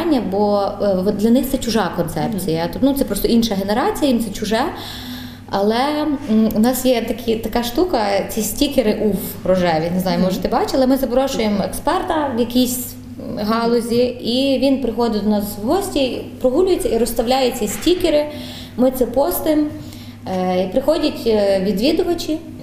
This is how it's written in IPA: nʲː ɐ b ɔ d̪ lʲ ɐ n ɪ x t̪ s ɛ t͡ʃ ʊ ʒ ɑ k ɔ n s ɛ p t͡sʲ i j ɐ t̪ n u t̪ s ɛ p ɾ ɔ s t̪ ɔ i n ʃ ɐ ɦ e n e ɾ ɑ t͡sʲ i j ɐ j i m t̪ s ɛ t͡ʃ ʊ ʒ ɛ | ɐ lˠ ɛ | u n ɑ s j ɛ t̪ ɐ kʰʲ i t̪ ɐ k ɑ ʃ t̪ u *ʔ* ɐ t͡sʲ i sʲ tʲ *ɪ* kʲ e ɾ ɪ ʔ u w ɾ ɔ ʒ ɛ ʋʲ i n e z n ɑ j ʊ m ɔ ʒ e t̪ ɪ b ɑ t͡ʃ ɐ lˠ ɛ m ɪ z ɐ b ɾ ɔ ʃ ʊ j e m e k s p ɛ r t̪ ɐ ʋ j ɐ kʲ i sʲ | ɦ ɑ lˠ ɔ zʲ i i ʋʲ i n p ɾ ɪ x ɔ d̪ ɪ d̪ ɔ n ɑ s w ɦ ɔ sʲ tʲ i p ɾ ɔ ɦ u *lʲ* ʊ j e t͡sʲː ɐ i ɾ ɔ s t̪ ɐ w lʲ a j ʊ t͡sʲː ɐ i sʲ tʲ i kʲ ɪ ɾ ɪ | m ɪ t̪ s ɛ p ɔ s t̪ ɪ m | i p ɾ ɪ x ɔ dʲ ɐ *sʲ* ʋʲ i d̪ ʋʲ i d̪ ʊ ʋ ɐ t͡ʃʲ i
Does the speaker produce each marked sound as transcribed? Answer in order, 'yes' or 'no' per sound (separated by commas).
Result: no, no, yes, no